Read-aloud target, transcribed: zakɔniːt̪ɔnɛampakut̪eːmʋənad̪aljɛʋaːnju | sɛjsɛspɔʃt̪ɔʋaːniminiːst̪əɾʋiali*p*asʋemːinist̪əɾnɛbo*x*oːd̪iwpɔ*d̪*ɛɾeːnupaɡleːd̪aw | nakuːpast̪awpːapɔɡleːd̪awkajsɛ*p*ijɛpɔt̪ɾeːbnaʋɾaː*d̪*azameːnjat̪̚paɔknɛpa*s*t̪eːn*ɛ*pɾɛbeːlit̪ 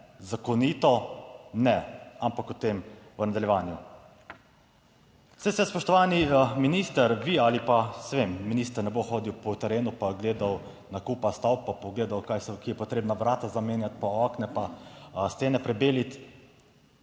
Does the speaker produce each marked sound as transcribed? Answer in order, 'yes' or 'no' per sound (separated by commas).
yes, yes, no, no, no, yes, yes